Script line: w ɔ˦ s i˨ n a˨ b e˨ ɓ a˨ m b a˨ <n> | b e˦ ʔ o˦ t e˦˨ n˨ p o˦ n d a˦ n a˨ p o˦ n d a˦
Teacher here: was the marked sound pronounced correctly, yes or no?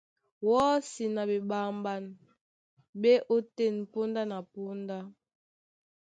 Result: yes